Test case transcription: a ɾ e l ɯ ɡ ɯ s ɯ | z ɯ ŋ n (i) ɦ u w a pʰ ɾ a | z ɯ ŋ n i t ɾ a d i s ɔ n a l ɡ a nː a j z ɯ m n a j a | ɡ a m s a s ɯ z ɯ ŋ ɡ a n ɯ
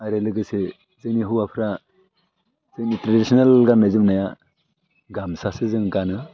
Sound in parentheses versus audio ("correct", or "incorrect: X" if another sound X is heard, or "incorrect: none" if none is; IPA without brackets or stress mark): correct